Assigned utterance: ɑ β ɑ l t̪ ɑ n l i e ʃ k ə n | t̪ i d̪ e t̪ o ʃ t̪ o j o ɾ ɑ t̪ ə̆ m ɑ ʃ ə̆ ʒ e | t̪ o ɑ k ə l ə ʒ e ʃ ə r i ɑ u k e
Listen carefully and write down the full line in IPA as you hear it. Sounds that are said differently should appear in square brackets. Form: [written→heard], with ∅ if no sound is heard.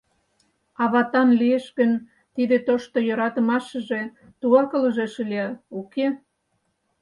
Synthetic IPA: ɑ β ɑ [l→∅] t̪ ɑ n l i e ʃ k ə n | t̪ i d̪ e t̪ o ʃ t̪ o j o ɾ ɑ t̪ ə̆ m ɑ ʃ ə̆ ʒ e | t̪ [o→u] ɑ k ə l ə ʒ e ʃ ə [r→l] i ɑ u k e